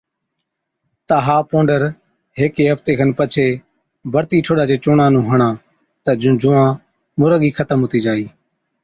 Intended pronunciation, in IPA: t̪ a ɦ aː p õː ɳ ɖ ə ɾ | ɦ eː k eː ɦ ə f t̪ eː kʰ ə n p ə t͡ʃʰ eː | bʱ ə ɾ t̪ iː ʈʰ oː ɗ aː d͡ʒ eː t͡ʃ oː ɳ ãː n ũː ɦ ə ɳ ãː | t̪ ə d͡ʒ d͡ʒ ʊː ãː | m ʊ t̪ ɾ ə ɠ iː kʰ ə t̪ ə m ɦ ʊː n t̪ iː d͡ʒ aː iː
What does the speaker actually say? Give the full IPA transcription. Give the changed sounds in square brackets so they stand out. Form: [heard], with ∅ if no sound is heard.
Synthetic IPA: t̪ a ɦ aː p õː ɳ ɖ ə ɾ | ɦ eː k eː ɦ ə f t̪ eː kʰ ə n p ə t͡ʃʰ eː | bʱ ə ɾ t̪ iː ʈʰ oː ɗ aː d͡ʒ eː t͡ʃ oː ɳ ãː n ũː ɦ ə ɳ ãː | t̪ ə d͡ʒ d͡ʒ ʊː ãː | m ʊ [∅] ɾ ə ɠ iː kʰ ə t̪ ə m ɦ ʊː [∅] t̪ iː d͡ʒ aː iː